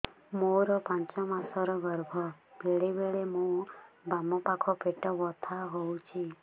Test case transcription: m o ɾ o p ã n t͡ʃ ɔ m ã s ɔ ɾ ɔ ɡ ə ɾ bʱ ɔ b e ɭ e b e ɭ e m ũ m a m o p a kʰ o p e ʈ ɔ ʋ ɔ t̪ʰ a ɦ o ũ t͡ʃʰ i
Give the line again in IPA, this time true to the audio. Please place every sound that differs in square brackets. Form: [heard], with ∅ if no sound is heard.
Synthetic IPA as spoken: m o ɾ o p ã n t͡ʃ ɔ m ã s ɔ ɾ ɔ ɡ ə ɾ bʱ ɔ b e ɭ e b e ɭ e m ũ [b] a m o p a kʰ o p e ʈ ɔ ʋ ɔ t̪ʰ a ɦ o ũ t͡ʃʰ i